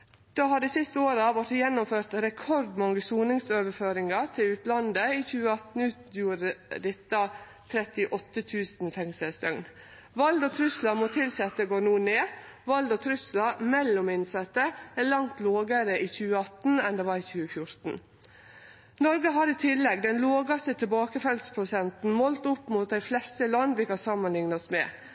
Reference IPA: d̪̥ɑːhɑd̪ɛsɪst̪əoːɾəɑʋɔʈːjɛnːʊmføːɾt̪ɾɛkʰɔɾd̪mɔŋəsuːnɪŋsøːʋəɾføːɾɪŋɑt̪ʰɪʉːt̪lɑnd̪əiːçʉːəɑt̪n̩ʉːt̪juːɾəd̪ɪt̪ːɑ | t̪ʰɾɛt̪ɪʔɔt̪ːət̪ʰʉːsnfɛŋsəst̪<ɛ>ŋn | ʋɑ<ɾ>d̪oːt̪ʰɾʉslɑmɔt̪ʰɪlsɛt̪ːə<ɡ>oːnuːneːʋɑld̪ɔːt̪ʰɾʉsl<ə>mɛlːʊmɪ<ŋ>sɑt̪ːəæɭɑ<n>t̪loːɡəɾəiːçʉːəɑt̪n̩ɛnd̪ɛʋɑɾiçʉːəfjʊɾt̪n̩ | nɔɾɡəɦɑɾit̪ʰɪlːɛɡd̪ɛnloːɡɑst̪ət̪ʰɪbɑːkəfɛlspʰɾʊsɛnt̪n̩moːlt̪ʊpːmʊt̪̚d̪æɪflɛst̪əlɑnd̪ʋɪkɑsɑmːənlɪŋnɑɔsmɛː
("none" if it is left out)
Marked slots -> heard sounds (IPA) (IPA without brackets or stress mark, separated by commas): œ, l, ɡ, ɑ, n, ŋ